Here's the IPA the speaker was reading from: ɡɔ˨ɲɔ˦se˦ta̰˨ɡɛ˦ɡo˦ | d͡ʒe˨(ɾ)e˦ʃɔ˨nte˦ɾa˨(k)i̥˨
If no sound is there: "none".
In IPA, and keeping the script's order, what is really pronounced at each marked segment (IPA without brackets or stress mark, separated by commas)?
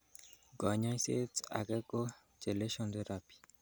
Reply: l, p